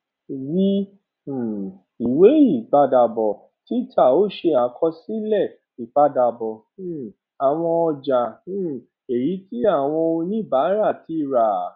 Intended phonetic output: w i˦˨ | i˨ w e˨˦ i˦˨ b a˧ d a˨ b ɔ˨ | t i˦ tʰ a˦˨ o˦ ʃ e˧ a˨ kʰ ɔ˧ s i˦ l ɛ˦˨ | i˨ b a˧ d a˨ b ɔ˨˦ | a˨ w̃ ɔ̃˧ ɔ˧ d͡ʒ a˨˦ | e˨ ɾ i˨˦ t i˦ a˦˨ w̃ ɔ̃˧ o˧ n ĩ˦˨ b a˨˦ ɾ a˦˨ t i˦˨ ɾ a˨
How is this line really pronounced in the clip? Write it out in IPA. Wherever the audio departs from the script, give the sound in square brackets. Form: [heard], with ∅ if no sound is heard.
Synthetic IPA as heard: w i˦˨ | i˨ w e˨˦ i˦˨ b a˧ d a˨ b ɔ˨ | t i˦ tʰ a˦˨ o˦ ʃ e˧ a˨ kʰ ɔ˧ s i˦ l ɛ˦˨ | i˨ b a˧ d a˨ b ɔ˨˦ | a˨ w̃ ɔ̃˧ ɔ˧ d͡ʒ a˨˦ | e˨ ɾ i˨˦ t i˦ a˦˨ w̃ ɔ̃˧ o˧ n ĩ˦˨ b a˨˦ ɾ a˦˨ t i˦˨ ɾ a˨